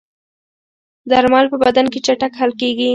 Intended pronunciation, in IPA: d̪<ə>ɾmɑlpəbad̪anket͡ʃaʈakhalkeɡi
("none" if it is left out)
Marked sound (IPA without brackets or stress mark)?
a